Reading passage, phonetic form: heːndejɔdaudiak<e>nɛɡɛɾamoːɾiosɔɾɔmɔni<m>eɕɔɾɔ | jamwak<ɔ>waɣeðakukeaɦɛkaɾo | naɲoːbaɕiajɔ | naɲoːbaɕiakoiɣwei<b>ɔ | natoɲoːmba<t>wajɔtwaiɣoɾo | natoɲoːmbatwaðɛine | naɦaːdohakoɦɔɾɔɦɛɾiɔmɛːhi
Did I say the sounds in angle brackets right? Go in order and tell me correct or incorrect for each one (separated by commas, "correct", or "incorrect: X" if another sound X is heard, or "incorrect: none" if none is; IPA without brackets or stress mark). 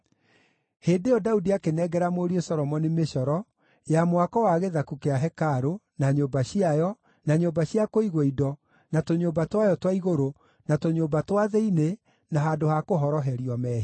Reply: correct, correct, correct, incorrect: d, correct